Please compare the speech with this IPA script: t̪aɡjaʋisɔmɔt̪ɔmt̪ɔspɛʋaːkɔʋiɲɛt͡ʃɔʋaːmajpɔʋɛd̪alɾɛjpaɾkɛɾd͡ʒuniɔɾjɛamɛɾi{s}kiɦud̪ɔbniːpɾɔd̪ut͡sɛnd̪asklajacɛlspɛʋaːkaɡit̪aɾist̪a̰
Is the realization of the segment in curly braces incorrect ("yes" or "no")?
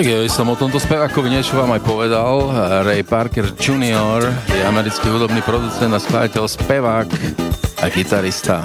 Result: yes